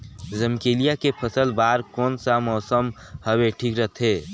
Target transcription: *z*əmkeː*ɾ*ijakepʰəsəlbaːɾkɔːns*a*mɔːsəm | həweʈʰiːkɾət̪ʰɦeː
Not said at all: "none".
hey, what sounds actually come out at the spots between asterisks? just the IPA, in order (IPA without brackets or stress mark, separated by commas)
z, l, a